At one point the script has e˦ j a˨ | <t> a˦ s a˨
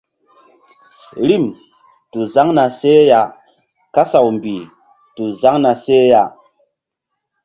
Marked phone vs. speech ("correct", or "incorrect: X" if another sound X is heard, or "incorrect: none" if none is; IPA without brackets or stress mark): incorrect: k